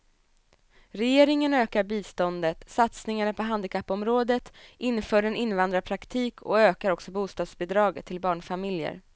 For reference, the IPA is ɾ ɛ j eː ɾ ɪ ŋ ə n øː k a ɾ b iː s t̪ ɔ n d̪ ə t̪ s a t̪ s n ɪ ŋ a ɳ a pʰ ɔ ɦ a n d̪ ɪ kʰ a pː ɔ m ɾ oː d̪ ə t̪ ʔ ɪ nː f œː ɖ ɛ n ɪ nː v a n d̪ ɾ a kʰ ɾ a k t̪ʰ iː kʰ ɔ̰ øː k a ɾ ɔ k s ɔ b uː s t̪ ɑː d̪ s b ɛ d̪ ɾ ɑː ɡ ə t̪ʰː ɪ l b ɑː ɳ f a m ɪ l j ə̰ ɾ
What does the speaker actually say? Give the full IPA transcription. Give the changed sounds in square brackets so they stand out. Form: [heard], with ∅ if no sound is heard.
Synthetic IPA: ɾ ɛ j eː ɾ ɪ ŋ ə n øː k a ɾ b iː s t̪ ɔ n d̪ ə t̪ s a t̪ s n ɪ ŋ a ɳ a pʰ ɔ ɦ a n d̪ ɪ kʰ a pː ɔ m ɾ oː d̪ ə t̪ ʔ ɪ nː f œː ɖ ɛ n ɪ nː v a n d̪ ɾ a [pʰ] ɾ a k t̪ʰ iː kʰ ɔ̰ øː k a ɾ ɔ k s ɔ b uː s t̪ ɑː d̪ s b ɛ d̪ ɾ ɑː ɡ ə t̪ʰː ɪ l b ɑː ɳ f a m ɪ l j ə̰ ɾ